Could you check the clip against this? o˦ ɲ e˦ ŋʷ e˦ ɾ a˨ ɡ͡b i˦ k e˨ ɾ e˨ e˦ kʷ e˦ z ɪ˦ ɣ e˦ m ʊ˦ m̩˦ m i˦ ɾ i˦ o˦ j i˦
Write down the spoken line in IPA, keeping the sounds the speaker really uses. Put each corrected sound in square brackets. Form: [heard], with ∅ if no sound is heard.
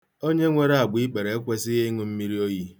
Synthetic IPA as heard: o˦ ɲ e˦ ŋʷ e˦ ɾ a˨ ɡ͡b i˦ [k͡p] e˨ ɾ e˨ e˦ kʷ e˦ [s] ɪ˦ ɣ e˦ [ŋ] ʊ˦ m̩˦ m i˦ ɾ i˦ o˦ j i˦